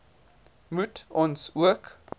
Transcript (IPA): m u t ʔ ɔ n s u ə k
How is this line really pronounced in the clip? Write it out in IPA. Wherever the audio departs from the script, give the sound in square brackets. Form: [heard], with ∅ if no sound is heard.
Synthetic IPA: m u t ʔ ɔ n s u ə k

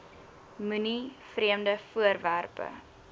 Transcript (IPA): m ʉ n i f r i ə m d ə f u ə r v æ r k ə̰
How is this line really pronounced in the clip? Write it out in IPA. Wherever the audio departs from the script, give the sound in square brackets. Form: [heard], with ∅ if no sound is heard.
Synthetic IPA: m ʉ n i f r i ə m d ə f u ə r v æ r [p] ə̰

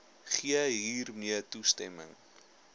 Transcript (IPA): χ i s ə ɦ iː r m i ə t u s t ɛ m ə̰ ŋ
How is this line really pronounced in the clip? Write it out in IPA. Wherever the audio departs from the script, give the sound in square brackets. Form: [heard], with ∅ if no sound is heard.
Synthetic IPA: χ i [∅] ə ɦ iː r m i ə t u s t ɛ m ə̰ ŋ

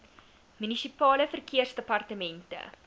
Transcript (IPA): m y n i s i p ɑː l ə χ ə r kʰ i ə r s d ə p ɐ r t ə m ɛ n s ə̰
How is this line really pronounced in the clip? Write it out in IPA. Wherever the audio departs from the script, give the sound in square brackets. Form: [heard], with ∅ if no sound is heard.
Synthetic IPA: m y n i s i p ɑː l ə [f] ə r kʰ i ə r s d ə p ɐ r t ə m ɛ n [t] ə̰

